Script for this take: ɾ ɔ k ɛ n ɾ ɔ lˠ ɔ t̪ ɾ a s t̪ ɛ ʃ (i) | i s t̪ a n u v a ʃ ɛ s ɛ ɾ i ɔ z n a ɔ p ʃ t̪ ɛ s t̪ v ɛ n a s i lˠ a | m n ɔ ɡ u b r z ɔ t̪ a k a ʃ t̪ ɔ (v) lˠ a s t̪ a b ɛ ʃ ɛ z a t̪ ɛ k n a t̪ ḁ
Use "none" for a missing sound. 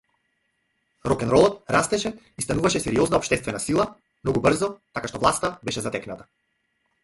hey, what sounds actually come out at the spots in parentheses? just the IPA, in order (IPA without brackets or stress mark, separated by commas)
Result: ɛ, v